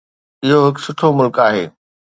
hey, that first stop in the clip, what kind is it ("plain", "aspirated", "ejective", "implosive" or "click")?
plain